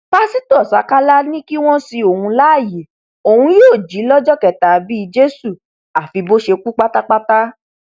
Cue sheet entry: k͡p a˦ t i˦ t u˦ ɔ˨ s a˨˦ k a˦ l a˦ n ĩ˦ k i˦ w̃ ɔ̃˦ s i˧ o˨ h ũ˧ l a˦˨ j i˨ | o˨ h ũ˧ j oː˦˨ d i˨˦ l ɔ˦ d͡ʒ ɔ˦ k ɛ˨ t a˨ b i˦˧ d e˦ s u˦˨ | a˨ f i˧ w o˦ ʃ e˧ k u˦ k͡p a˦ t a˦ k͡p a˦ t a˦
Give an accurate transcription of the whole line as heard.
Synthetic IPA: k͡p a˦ s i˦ t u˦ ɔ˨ s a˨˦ k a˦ l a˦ n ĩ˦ k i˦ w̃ ɔ̃˦ s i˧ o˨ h ũ˧ l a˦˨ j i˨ | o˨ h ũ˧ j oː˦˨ d͡ʒ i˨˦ l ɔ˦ d͡ʒ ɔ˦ k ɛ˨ t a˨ b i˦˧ d͡ʒ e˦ s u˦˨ | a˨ f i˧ b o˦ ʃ e˧ k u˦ k͡p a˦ t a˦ k͡p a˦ t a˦